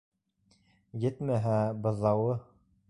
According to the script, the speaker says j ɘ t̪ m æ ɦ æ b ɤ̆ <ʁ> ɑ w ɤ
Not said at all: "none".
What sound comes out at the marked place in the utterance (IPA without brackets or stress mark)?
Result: ð